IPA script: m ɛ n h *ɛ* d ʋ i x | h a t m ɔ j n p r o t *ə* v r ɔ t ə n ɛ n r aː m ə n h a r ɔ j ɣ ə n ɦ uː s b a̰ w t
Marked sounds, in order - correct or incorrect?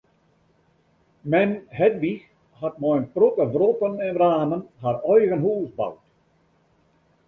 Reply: correct, correct

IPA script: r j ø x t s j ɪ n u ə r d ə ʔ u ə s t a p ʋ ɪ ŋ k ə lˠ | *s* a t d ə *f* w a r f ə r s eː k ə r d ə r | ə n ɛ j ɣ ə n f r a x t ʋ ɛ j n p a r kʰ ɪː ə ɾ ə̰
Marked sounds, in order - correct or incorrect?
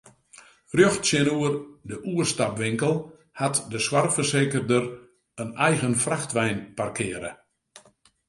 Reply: incorrect, incorrect

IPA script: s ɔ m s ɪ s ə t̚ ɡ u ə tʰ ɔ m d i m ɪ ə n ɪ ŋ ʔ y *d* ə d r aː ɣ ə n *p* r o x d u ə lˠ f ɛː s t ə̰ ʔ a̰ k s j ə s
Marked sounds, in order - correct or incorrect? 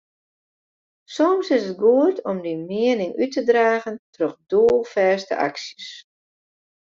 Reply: incorrect, incorrect

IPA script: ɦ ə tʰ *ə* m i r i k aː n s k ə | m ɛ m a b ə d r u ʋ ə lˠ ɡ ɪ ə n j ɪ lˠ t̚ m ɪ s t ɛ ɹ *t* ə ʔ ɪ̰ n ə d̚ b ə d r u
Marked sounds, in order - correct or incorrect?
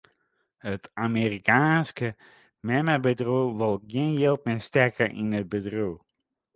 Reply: incorrect, incorrect

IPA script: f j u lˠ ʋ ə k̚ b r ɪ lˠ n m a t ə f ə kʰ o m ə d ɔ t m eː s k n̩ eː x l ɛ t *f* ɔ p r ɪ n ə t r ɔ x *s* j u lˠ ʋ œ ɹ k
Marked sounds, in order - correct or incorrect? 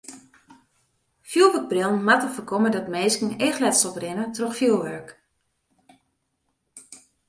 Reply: incorrect, incorrect

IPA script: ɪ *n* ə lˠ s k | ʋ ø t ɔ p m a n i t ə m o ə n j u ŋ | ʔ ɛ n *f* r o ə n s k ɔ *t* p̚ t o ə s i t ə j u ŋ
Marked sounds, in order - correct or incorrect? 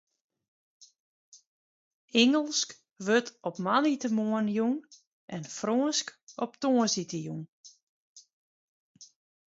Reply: incorrect, correct, incorrect

